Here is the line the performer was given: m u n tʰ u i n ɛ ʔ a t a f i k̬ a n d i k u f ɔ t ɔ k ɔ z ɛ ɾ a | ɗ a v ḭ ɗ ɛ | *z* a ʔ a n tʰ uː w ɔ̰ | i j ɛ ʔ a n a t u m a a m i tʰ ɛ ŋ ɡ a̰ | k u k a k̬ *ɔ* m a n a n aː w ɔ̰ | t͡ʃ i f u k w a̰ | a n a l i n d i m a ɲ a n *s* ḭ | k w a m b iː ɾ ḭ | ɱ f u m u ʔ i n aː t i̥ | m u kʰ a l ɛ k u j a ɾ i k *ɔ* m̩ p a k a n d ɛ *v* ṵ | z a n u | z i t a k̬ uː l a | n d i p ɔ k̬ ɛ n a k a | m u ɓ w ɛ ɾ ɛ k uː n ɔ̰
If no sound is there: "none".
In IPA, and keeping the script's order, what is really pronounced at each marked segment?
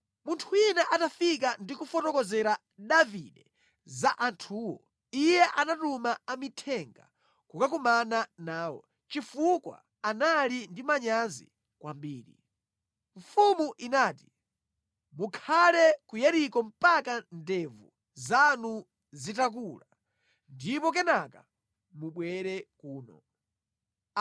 z, u, z, ɔ, v

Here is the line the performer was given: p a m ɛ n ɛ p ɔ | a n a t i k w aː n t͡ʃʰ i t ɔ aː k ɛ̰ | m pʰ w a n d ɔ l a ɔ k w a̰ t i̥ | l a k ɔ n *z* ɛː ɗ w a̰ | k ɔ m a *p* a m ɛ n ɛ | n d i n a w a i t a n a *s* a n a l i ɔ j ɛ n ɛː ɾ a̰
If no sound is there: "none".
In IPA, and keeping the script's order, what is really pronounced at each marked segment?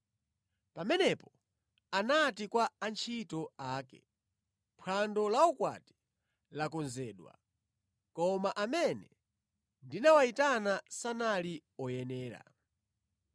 z, ʔ, s

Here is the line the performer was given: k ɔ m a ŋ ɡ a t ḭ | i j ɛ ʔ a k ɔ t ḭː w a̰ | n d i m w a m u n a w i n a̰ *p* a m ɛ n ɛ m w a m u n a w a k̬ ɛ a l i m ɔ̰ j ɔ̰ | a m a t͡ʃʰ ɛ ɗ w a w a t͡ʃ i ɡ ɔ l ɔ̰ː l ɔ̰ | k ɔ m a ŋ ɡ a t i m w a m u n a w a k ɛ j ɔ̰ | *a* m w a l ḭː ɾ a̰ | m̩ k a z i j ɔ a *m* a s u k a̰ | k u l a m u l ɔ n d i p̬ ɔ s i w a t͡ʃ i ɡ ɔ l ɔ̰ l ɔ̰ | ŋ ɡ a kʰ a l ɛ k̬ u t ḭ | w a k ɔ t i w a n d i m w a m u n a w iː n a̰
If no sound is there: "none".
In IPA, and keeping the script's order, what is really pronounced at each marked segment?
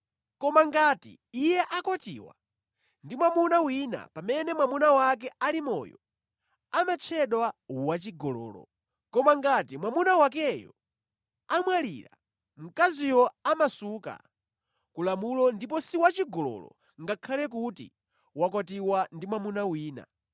p, a, m

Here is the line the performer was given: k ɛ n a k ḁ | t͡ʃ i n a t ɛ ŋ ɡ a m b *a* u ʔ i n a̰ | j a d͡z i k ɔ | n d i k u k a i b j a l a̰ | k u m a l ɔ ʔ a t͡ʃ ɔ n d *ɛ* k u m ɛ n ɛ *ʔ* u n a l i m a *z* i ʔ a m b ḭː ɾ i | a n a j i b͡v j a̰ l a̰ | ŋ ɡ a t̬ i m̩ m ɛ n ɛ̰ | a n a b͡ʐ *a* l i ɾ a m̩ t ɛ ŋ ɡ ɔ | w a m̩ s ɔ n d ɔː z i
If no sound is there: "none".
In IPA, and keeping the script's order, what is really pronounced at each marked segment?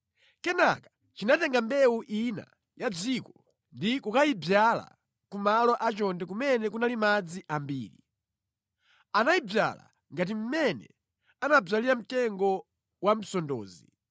ɛ, ɛ, k, d͡z, a

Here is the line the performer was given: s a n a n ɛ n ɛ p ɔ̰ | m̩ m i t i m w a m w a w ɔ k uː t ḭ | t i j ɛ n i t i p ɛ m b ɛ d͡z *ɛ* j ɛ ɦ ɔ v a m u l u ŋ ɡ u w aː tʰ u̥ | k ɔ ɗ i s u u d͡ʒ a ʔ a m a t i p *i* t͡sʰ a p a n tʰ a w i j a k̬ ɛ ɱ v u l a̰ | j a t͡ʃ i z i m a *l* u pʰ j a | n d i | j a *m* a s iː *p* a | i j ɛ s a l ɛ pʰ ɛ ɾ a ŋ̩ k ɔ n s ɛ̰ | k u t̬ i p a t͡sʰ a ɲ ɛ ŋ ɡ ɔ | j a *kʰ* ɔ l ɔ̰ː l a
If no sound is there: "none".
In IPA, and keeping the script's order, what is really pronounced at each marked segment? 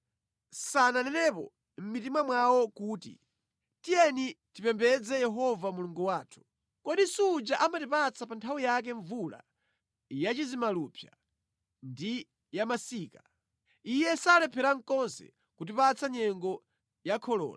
ɛ, a, l, m, k, kʰ

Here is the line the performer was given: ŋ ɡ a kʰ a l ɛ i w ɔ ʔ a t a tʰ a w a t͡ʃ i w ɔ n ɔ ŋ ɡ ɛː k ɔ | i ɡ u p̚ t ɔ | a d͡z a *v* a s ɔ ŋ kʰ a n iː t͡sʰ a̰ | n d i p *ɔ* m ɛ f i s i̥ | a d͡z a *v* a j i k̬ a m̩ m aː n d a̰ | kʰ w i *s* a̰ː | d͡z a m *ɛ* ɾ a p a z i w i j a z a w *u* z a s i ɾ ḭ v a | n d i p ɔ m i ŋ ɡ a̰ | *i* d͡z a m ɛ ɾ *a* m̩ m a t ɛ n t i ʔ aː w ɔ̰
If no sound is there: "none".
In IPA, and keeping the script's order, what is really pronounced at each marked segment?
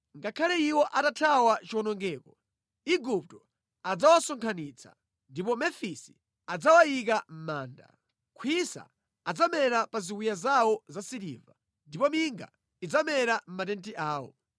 w, ɔ, w, s, ɛ, ɔ, i, a

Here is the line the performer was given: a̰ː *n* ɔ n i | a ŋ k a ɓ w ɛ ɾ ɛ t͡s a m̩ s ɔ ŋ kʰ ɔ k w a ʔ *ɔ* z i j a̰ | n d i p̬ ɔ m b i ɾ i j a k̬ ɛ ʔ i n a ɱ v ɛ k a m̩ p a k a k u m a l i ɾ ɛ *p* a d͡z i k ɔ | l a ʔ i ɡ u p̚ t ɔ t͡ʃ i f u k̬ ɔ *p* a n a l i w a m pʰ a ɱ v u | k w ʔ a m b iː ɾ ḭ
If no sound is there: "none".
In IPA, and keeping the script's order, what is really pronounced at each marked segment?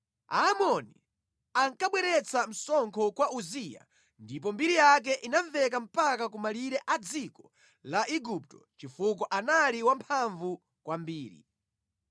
m, u, ʔ, ʔ

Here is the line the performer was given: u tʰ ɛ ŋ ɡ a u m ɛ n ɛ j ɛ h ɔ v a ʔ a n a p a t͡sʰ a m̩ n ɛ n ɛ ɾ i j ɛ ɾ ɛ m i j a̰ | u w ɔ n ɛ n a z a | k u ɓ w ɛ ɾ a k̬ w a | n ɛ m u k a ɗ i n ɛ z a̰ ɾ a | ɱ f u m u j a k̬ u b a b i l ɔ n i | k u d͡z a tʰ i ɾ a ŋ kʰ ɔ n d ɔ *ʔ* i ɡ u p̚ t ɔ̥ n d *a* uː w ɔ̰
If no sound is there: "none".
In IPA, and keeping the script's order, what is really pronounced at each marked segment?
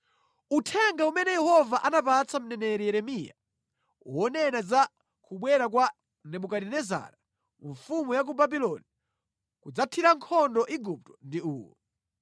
ʔ, i

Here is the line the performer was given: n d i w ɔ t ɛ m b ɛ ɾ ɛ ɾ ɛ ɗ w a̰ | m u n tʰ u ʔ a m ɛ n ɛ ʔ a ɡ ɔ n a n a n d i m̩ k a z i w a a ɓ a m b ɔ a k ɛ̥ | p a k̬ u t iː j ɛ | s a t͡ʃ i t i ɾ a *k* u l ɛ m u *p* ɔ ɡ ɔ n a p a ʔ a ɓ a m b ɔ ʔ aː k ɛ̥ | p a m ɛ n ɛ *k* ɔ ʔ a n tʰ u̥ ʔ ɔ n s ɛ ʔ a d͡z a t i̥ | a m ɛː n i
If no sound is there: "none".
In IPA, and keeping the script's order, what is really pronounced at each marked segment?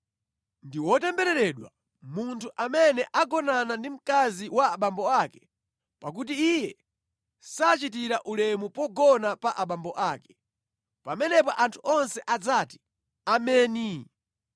ʔ, p, p

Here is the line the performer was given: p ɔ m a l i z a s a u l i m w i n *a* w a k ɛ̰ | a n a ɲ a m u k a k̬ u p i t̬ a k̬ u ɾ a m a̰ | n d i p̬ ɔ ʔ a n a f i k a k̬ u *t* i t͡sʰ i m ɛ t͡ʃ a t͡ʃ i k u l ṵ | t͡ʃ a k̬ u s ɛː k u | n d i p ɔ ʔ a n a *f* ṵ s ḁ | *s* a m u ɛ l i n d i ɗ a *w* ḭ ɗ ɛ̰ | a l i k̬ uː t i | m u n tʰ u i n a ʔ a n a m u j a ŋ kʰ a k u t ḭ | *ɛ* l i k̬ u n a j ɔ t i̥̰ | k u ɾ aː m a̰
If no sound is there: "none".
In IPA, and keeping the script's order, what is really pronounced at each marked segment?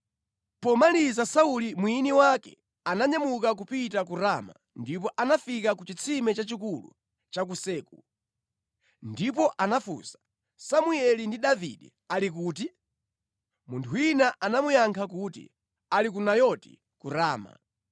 i, t͡ʃ, f, s, v, a

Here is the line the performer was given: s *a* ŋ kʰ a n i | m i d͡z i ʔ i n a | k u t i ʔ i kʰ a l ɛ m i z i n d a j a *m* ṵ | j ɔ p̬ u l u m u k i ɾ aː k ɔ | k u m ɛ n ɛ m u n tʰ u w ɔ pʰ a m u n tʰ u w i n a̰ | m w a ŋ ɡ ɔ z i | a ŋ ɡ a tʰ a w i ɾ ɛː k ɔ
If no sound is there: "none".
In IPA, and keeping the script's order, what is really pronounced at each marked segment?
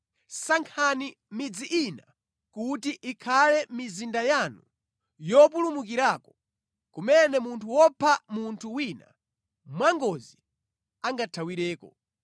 a, n

